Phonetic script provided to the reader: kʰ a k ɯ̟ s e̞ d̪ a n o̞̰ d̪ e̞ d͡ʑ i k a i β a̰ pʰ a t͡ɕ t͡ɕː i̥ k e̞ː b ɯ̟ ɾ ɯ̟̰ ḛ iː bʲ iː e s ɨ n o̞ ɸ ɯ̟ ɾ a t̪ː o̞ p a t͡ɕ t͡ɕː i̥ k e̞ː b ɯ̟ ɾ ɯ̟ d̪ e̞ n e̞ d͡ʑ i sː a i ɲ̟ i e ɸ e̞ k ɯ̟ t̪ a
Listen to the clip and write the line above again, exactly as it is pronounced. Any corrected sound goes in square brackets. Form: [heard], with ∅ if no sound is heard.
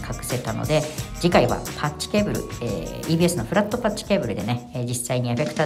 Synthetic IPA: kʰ a k ɯ̟ s e̞ [t̪] a n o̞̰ d̪ e̞ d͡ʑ i k a i β a̰ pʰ a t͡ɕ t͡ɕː i̥ k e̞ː b ɯ̟ ɾ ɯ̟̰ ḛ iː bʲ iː e s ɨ n o̞ ɸ ɯ̟ ɾ a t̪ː o̞ p a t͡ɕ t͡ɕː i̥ k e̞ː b ɯ̟ ɾ ɯ̟ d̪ e̞ n e̞ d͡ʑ i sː a i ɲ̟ i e ɸ e̞ k ɯ̟ t̪ a